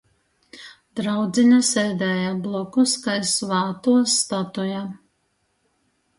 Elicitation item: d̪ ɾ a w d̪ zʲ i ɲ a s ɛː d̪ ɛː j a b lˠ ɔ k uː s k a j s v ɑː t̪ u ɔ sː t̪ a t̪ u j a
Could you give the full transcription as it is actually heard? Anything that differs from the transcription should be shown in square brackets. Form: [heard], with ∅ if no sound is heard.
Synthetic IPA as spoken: d̪ ɾ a w d̪ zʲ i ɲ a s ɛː d̪ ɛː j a b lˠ ɔ k [u] s k a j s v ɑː t̪ u ɔ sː t̪ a t̪ u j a